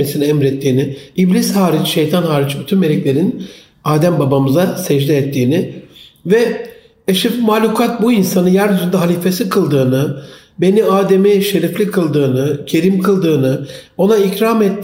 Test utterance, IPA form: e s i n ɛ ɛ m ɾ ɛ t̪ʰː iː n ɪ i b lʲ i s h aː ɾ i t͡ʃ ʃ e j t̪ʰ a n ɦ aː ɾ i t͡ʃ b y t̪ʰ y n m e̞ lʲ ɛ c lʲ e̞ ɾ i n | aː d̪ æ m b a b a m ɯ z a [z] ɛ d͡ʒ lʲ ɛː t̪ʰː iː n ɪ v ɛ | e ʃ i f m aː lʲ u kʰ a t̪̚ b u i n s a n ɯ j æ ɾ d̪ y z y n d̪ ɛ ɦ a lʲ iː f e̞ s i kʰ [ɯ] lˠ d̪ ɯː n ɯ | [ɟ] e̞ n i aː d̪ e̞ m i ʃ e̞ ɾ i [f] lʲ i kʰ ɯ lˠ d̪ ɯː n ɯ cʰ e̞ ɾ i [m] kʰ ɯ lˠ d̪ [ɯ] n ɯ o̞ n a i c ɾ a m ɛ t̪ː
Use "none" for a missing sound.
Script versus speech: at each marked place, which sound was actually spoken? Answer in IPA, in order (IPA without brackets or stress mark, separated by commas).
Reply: s, ɯ, b, f, m, ɯː